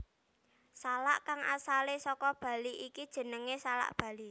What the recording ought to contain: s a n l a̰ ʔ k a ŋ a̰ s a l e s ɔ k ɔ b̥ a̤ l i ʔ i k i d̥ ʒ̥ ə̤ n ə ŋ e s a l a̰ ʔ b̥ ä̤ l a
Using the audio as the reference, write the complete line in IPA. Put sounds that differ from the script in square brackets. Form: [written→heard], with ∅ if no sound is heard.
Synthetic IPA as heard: s a [n→∅] l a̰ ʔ k a ŋ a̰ s a l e s ɔ k ɔ b̥ a̤ l i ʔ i k i d̥ ʒ̥ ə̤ n ə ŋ e s a l a̰ ʔ b̥ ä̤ l [a→i]